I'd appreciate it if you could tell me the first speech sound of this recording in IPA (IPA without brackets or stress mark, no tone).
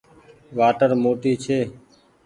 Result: ʋ